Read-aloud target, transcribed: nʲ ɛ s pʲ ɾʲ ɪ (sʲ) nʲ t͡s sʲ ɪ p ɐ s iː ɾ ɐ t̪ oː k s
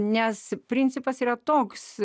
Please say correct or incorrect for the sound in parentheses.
incorrect